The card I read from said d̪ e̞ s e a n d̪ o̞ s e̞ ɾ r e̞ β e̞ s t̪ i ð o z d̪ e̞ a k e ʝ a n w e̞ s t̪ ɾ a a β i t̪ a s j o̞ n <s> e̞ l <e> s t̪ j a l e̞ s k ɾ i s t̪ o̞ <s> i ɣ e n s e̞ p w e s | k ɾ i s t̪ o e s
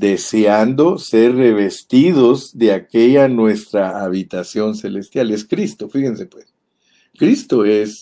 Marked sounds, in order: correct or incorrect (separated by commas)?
correct, correct, incorrect